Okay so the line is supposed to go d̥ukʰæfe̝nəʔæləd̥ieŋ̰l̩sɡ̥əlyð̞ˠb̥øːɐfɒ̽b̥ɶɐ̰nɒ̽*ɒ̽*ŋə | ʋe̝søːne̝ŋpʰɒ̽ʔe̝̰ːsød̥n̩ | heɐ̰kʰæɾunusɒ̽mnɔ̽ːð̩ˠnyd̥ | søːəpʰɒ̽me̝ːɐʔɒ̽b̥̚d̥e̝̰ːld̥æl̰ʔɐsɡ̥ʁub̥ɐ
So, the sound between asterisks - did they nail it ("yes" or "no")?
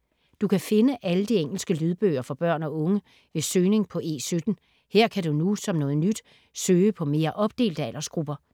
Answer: no